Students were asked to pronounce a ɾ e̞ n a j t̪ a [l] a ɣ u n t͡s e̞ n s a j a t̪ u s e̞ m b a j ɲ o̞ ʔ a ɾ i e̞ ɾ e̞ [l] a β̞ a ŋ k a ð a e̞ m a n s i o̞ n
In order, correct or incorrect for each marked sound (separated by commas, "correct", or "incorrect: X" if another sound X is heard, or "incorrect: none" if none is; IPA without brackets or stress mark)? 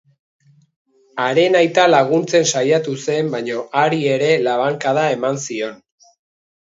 correct, correct